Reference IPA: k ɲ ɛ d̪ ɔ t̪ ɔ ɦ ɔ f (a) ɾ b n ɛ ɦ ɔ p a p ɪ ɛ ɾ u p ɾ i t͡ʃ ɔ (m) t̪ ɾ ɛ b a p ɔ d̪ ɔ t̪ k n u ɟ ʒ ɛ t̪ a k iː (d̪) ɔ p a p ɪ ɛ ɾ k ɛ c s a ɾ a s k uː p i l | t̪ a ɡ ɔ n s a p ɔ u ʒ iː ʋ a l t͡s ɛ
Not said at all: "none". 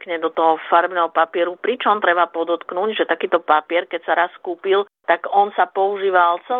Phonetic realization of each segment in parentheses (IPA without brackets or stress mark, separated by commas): a, m, t̪